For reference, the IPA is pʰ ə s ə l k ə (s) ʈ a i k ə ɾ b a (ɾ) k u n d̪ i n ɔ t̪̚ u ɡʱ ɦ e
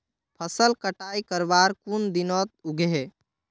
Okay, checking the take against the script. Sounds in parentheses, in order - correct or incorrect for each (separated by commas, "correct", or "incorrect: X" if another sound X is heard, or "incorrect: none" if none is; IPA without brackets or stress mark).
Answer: incorrect: none, correct